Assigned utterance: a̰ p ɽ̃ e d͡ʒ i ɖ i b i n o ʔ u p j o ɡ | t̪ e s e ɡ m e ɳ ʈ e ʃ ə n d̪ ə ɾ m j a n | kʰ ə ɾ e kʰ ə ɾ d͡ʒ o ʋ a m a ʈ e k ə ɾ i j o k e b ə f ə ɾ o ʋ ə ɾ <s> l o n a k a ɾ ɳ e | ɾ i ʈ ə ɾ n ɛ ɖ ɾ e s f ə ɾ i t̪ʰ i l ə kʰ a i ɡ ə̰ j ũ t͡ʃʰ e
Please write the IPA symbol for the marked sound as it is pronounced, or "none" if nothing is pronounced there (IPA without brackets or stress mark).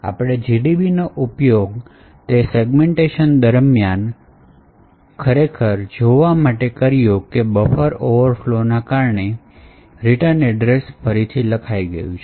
f